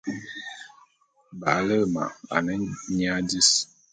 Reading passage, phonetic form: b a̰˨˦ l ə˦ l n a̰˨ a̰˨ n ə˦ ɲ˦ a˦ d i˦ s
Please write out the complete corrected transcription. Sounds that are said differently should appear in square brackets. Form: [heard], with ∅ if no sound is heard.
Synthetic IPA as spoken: b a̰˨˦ l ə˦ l [m] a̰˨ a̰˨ n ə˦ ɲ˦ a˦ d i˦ s